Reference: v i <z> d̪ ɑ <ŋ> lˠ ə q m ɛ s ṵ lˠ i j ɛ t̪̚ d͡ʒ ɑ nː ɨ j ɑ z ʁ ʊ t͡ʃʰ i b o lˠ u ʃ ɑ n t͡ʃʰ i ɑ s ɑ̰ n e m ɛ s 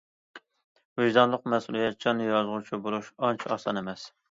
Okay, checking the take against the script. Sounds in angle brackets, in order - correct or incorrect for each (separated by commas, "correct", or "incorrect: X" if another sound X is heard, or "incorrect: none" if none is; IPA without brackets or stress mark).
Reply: incorrect: ʒ, incorrect: n